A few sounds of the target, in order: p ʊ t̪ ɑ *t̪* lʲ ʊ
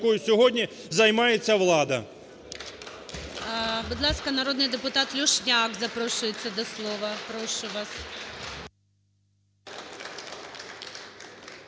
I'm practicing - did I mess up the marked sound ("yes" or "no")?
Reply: no